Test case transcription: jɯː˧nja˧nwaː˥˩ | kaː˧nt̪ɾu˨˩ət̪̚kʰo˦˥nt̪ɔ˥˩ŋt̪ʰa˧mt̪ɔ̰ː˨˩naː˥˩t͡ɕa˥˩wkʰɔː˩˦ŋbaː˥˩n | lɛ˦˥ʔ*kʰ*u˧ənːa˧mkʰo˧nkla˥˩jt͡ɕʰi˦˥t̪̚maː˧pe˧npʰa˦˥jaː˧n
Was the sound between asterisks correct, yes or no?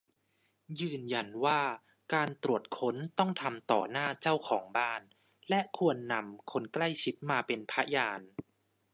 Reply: yes